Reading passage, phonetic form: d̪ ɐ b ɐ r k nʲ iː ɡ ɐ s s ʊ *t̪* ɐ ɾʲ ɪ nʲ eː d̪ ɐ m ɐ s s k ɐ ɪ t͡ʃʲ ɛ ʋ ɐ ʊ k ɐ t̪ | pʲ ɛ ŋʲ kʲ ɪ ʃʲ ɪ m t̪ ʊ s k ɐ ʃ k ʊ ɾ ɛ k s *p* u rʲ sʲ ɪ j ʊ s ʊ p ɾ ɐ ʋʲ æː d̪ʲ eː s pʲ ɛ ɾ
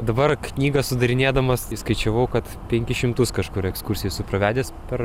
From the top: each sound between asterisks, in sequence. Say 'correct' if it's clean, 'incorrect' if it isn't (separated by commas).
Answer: incorrect, incorrect